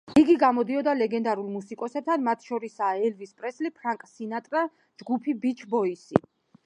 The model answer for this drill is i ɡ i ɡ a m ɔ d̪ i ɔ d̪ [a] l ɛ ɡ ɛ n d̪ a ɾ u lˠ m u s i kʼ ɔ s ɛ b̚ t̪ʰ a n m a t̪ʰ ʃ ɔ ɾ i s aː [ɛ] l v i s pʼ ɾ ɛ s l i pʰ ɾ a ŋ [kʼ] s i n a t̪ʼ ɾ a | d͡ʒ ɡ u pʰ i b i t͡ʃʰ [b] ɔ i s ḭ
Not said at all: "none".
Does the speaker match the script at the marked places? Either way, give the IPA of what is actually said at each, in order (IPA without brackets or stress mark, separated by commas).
a, ɛ, kʼ, b